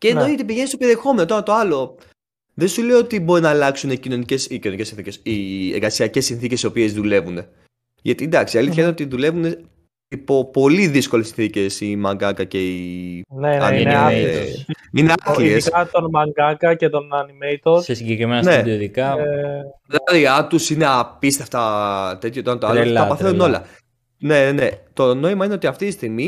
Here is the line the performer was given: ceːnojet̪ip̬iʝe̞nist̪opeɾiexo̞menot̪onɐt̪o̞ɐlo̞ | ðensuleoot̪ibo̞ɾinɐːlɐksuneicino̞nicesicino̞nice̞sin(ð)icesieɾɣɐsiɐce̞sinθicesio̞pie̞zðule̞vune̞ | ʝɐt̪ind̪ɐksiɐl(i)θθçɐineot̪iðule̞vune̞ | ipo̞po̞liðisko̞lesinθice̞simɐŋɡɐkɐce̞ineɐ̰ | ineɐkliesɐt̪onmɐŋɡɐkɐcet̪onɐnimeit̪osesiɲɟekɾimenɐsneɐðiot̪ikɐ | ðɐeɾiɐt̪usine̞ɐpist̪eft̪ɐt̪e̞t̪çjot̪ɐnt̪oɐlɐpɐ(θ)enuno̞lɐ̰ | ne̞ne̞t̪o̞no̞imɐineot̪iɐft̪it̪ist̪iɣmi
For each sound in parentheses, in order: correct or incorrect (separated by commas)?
incorrect, correct, correct